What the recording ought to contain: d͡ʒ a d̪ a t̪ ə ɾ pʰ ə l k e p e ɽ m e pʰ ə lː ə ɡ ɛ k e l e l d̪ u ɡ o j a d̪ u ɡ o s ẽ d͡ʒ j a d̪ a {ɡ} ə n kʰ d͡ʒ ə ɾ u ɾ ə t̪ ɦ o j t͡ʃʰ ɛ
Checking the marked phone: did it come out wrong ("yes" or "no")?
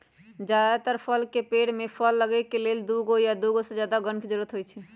no